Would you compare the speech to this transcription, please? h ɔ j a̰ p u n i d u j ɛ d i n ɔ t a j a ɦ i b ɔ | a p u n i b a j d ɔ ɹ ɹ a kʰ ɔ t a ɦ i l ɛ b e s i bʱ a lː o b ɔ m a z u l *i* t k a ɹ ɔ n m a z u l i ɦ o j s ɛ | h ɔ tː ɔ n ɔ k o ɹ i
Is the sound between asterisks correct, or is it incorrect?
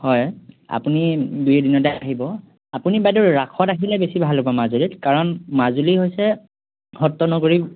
correct